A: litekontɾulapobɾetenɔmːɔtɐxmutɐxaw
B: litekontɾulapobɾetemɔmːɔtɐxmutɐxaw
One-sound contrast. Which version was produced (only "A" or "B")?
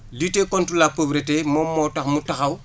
B